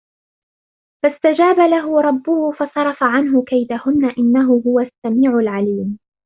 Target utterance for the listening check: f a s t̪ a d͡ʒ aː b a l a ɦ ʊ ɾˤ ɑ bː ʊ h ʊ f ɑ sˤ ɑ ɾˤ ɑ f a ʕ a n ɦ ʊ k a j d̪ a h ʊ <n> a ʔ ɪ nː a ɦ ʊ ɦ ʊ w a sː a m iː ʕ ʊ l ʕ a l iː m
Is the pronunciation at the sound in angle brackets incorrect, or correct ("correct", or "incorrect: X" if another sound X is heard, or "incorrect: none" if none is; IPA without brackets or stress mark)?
incorrect: nː